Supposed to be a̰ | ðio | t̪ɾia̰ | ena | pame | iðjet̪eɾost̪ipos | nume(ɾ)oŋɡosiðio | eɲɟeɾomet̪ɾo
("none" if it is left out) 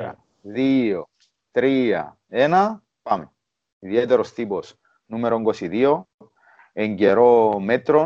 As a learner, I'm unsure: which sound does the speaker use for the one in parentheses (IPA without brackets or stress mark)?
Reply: ɾ